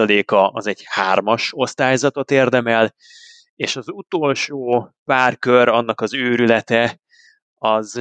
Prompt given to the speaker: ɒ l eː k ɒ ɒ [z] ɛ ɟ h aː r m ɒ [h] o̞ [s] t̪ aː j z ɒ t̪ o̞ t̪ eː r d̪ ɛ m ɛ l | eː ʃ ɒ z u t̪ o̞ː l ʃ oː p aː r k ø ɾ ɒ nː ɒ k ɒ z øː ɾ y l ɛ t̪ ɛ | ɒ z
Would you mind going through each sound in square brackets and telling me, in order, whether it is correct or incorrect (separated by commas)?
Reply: correct, incorrect, correct